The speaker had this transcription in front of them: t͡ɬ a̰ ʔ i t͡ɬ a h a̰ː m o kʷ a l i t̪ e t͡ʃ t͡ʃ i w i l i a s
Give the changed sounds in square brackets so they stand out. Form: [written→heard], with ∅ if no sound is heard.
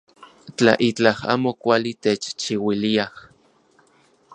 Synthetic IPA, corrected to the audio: t͡ɬ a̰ ʔ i t͡ɬ a h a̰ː m o kʷ a l i t̪ e t͡ʃ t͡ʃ i w i l i a [s→h]